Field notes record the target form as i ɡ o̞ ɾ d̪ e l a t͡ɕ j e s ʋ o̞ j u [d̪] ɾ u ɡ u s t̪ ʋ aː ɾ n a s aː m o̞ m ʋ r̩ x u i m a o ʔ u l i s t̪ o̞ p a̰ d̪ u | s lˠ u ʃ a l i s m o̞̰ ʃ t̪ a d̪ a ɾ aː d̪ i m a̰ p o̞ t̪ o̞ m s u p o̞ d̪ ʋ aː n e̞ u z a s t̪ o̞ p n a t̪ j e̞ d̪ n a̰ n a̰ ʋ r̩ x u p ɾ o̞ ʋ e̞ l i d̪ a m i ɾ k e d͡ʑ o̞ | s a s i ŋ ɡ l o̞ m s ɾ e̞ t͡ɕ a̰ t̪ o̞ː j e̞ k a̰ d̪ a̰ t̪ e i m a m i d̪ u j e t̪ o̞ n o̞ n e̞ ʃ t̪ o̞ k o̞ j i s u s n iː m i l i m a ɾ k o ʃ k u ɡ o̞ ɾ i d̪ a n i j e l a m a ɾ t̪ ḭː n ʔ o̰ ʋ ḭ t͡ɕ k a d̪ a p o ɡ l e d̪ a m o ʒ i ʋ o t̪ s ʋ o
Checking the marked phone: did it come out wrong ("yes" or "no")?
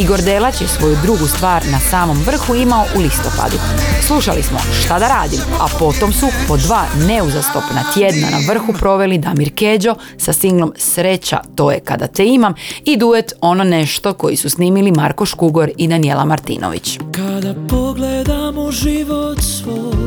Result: no